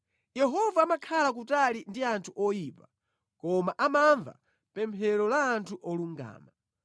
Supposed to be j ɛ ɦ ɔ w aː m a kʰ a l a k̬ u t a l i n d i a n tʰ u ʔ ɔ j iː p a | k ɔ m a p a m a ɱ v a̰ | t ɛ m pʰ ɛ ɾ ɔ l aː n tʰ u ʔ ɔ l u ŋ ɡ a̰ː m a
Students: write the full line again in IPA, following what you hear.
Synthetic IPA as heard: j ɛ ɦ ɔ v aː m a kʰ a l a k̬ u t a l i n d i a n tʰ u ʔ ɔ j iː p a | k ɔ m a ʔ a m a ɱ v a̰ | p ɛ m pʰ ɛ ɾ ɔ l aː n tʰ u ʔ ɔ l u ŋ ɡ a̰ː m a

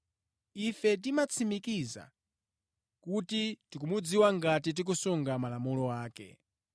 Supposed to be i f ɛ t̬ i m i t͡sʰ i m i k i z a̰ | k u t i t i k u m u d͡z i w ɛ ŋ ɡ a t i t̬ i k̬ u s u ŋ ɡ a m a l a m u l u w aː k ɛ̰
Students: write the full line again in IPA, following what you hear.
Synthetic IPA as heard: i f ɛ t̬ i m a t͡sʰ i m i k i z a̰ | k u t i t i k u m u d͡z i w a ŋ ɡ a t i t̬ i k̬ u s u ŋ ɡ a m a l a m u l ɔ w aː k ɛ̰

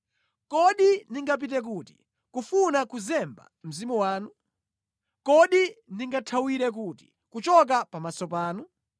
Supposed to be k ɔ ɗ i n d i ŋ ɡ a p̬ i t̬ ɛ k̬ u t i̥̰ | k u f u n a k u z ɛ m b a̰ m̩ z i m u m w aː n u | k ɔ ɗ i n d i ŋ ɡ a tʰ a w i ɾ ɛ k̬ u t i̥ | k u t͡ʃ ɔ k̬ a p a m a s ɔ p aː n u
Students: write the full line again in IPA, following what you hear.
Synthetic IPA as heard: k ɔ ɗ i n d i ŋ ɡ a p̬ i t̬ ɛ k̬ u t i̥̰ | k u f u n a k u z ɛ m b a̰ m̩ z i m u w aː n u | k ɔ ɗ i n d i ŋ ɡ a tʰ a w i ɾ ɛ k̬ u t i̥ | k u t͡ʃ ɔ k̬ a p a m a s ɔ p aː n u

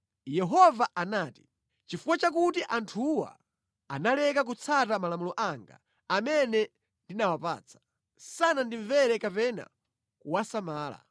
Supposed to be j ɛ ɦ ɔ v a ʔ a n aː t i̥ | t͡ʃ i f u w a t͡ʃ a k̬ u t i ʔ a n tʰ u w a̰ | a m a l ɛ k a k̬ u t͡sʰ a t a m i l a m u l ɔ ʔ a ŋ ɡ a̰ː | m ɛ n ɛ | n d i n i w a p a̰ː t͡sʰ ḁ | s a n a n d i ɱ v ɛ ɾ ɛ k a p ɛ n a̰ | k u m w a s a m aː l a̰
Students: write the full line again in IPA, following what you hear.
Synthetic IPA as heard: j ɛ ɦ ɔ v a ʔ a n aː t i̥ | t͡ʃ i f u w a t͡ʃ a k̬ u t i ʔ a n tʰ u w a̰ | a n a l ɛ k a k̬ u t͡sʰ a t a m a l a m u l ɔ ʔ a ŋ ɡ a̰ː | m ɛ n ɛ | n d i n a w a p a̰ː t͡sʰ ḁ | s a n a n d i ɱ v ɛ ɾ ɛ k a p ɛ n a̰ | k u w a s a m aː l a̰

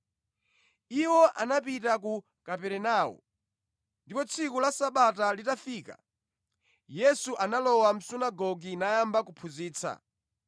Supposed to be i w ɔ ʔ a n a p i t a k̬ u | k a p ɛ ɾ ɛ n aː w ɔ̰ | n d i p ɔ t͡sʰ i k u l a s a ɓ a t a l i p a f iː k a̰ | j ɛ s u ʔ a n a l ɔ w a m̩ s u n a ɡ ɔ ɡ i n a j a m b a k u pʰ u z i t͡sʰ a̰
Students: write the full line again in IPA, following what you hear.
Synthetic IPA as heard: i w ɔ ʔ a n a p i t a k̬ u | k a p ɛ ɾ ɛ n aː w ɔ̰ | n d i p ɔ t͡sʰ i k u l a s a ɓ a t a l i t a f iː k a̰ | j ɛ s u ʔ a n a l ɔ w a m̩ s u n a ɡ ɔ ɡ i n a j a m b a k u pʰ u z iː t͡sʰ a̰

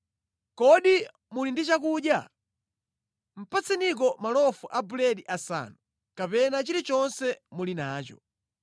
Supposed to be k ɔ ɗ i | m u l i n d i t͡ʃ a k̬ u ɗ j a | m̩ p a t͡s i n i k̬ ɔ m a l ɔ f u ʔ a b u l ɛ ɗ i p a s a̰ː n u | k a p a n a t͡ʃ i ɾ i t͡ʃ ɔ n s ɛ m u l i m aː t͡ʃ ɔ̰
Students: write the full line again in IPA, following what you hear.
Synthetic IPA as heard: k ɔ ɗ i | m u l i n d i t͡ʃ a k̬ u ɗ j a | m̩ p a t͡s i n i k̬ ɔ m a l ɔ f u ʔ a b u l ɛ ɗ i ʔ a s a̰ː n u | k a p ɛ n a t͡ʃ i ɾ i t͡ʃ ɔ n s ɛ m u l i n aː t͡ʃ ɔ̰

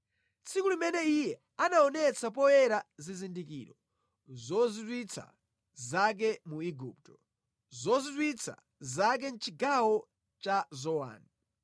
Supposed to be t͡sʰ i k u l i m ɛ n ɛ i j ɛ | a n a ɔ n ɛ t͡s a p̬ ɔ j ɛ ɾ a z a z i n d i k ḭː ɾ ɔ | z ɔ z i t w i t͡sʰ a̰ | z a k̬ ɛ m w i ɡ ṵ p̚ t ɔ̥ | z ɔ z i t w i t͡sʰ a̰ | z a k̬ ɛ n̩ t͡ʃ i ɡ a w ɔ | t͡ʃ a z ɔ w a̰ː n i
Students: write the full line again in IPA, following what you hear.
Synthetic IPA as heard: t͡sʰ i k u l i m ɛ n ɛ i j ɛ | a n a ɔ n ɛ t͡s a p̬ ɔ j ɛ ɾ a z i z i n d i k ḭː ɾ ɔ | z ɔ z i t w i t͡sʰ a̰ | z a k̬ ɛ m u i ɡ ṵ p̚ t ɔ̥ | z ɔ z i t w i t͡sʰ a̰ | z a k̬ ɛ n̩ t͡ʃ i ɡ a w ɔ | t͡ʃ a z ɔ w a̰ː n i

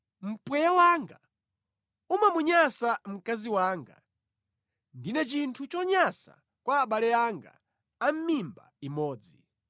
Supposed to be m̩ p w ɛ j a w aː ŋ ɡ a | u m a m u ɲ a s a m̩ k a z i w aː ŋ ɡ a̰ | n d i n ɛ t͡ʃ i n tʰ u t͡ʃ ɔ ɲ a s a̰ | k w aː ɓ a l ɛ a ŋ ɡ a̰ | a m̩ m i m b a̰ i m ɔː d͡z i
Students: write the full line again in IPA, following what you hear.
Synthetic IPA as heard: m̩ p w ɛ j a w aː ŋ ɡ a | u m a m u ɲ a s a m̩ k a z i w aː ŋ ɡ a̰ | n d i n ɛ t͡ʃ i n tʰ u t͡ʃ ɔ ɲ a s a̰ | k w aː ɓ a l ɛ a ŋ ɡ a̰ | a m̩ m i m b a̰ i m ɔː d͡z i

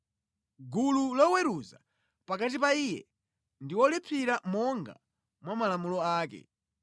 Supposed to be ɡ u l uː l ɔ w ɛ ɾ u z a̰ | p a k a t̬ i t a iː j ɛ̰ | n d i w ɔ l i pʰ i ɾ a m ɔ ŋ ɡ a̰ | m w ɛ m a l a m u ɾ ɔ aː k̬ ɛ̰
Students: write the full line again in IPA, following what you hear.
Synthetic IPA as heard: ɡ u l u l ɔ w ɛ ɾ u z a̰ | p a k a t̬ i p a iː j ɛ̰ | n d i w ɔ l i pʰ i ɾ a m ɔ ŋ ɡ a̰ | m w a m a l a m u l ɔ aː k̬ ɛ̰

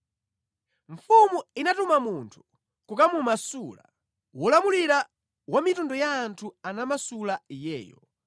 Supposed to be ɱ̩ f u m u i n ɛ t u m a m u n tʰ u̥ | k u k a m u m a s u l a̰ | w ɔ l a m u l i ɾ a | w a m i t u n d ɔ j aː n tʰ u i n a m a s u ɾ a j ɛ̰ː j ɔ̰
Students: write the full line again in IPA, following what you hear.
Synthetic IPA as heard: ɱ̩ f u m u i n a t u m a m u n tʰ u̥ | k u k a m u m a s u l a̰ | w ɔ l a m u l i ɾ a | w a m i t u n d ɔ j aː n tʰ u a n a m a s u l a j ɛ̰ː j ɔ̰

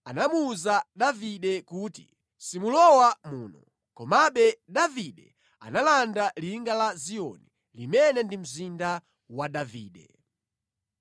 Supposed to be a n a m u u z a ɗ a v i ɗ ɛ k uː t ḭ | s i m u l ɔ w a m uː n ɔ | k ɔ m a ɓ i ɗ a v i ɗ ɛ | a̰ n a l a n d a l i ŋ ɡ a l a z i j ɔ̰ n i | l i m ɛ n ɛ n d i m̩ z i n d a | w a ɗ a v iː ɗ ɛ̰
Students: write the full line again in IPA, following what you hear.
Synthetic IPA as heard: a n a m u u z a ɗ a v i ɗ ɛ k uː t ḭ | s i m u l ɔ w a m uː n ɔ | k ɔ m a ɓ ɛ ɗ a v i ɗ ɛ | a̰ n a l a n d a l i ŋ ɡ a l a z i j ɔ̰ n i | l i m ɛ n ɛ n d i m̩ z i n d a | w a ɗ a v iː ɗ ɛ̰

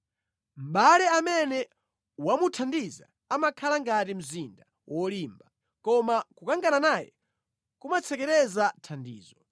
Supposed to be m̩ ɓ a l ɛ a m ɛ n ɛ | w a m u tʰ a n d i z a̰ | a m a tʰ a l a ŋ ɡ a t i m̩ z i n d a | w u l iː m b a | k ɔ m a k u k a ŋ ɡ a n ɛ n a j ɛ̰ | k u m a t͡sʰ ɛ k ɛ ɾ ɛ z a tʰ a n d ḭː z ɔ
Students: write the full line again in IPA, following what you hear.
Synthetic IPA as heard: m̩ ɓ a l ɛ a m ɛ n ɛ | w a m u tʰ a n d i z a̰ | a m a kʰ a l a ŋ ɡ a t i m̩ z i n d a | w ɔ l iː m b a | k ɔ m a k u k a ŋ ɡ a n a n a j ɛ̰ | k u m a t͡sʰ ɛ k ɛ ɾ ɛ z a tʰ a n d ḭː z ɔ

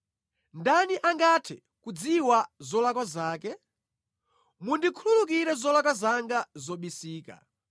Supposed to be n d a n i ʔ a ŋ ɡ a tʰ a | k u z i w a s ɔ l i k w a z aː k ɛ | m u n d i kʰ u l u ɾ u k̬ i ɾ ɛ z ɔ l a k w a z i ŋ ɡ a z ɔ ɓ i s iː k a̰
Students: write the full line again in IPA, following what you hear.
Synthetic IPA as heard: n d a n i ʔ a ŋ ɡ a tʰ ɛ | k u d͡z i w a z ɔ l a k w a z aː k ɛ | m u n d i kʰ u l u l u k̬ i ɾ ɛ z ɔ l a k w a z a ŋ ɡ a z ɔ ɓ i s iː k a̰

